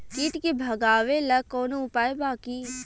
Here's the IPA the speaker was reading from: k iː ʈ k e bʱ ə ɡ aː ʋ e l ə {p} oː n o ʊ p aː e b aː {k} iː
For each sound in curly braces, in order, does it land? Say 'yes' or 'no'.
no, yes

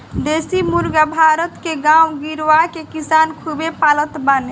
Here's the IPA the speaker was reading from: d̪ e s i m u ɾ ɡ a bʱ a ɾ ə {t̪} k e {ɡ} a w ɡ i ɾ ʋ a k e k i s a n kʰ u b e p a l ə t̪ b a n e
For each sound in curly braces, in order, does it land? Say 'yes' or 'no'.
yes, yes

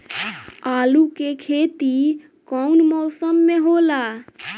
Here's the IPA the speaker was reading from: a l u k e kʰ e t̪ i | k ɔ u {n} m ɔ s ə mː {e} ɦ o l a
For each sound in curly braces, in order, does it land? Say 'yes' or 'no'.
yes, yes

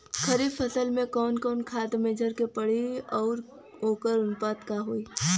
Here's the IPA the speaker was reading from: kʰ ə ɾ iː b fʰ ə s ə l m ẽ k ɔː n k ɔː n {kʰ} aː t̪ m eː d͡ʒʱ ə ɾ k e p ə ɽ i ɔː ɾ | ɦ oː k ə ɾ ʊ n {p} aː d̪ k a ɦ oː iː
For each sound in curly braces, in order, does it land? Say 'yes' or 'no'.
yes, yes

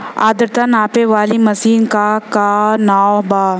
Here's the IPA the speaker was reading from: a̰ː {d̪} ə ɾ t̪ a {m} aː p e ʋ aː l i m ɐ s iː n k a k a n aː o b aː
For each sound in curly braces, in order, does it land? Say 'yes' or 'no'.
yes, no

